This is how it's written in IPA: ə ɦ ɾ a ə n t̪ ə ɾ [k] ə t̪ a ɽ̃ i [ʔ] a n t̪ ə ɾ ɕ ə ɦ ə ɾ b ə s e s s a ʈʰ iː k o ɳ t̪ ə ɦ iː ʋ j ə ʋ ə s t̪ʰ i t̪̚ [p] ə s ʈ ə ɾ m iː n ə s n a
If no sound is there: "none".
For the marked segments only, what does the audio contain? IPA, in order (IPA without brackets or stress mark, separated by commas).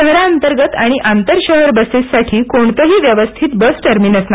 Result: ɡ, ʔ, b